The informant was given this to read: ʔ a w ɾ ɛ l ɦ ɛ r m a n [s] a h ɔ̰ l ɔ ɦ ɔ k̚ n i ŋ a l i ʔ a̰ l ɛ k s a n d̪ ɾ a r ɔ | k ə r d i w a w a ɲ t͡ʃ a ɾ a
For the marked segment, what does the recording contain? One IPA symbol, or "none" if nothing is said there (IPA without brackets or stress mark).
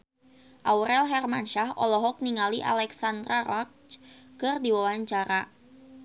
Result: ʃ